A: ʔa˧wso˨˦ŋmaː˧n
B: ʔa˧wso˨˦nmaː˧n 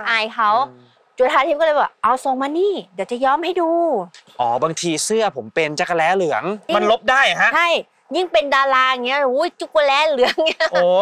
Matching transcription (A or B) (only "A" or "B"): A